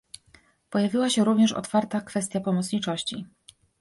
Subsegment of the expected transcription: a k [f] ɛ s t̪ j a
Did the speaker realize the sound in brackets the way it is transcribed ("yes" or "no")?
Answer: yes